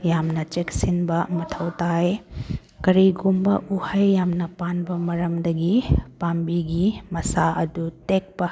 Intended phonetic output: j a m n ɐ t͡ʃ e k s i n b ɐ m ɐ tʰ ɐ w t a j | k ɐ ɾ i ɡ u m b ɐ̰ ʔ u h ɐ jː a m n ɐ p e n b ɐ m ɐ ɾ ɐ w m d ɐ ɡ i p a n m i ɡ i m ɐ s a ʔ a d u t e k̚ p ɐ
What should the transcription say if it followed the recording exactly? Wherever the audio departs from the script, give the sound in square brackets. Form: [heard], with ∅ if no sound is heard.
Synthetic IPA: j a m n ɐ t͡ʃ e k s i n b ɐ m ɐ tʰ ɐ w t a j | k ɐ ɾ i ɡ u m b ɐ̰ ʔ u h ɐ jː a m n ɐ p [a] n b ɐ m ɐ ɾ ɐ [∅] m d ɐ ɡ i p a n [b] i ɡ i m ɐ s a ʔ [ɐ] d u t e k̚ p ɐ